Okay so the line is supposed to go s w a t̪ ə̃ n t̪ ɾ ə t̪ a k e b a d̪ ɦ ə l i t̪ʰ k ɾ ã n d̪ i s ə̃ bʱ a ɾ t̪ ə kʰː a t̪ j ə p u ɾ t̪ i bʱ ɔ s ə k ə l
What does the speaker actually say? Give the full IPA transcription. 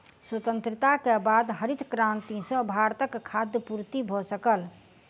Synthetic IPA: s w ə t̪ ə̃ n t̪ ɾ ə t̪ a k e b a d̪ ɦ ə ɾ i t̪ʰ k ɾ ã n t̪ i s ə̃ bʱ a ɾ t̪ ə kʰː a d̪ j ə p u ɾ t̪ i bʱ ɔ s ə k ə l